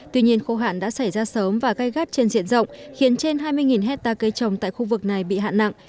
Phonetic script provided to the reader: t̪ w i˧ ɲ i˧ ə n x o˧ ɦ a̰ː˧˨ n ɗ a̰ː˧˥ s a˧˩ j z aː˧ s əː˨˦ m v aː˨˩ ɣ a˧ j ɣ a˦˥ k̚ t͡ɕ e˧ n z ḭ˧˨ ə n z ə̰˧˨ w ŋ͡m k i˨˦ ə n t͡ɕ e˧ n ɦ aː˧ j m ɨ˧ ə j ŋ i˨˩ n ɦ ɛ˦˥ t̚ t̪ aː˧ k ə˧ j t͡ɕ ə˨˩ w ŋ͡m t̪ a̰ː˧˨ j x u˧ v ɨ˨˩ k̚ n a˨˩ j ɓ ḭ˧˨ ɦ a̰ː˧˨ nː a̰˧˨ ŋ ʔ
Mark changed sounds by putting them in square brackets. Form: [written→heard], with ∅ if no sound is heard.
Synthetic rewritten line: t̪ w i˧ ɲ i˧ ə n x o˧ ɦ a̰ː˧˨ n ɗ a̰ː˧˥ s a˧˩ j z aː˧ s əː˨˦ m v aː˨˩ ɣ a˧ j ɣ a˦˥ [k̚→t̚] t͡ɕ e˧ n z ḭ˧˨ ə n z ə̰˧˨ w ŋ͡m [k→x] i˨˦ ə n t͡ɕ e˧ n ɦ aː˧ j m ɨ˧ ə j ŋ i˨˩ n ɦ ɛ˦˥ t̚ t̪ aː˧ k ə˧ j t͡ɕ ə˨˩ w ŋ͡m t̪ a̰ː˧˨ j x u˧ v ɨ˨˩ k̚ n a˨˩ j ɓ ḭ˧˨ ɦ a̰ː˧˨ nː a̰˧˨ ŋ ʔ